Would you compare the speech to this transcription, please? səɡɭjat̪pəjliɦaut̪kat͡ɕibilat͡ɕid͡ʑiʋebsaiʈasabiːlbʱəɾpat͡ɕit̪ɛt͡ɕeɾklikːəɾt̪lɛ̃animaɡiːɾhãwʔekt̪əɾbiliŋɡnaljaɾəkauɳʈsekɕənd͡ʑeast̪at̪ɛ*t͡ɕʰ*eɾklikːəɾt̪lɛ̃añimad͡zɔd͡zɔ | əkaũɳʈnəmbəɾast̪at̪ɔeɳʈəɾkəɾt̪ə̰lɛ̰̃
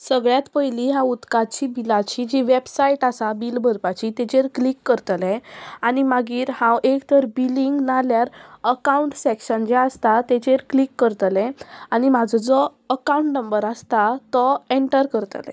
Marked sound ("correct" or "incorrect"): incorrect